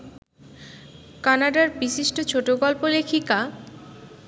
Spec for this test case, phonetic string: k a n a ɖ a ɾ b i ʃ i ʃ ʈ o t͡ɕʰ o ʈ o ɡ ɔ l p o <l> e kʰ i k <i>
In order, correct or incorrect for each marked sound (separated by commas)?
correct, incorrect